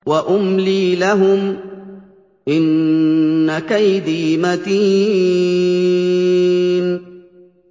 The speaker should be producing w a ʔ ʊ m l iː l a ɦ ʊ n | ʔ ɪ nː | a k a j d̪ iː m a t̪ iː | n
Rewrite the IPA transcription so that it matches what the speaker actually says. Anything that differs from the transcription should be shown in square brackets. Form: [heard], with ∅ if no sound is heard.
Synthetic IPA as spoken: w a ʔ ʊ m l iː l a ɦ ʊ [m] | ʔ ɪ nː | a k a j d̪ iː m a t̪ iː | n